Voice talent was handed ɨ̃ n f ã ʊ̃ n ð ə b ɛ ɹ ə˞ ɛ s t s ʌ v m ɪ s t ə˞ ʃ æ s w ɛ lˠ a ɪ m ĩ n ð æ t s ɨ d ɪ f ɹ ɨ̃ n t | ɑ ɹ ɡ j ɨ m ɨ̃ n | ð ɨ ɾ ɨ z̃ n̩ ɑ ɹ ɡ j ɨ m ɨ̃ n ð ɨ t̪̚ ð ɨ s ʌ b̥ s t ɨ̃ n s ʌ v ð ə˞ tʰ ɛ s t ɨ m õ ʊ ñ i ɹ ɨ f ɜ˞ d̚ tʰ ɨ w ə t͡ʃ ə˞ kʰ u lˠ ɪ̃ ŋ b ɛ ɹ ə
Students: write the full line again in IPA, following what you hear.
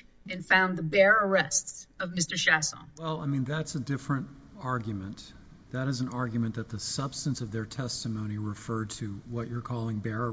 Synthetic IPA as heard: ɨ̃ n f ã ʊ̃ n ð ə b ɛ ɹ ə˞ ɛ s t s ʌ v m ɪ s t ə˞ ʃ æ s w ɛ lˠ a ɪ m ĩ n ð æ t s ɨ d ɪ f ɹ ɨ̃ n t | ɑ ɹ ɡ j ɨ m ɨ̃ n | ð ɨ ɾ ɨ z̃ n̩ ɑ ɹ ɡ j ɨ m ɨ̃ n ð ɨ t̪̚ ð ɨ s ʌ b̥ s t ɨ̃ n s ʌ v ð ə˞ tʰ ɛ s t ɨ m õ ʊ̃ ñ i ɹ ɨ f ɜ˞ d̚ tʰ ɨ w ʌ t͡ʃ ə˞ kʰ ɔ lˠ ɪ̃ ŋ b ɛ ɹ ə